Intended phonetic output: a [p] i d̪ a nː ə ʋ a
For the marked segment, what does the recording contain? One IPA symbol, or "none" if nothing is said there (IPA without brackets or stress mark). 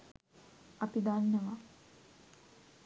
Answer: p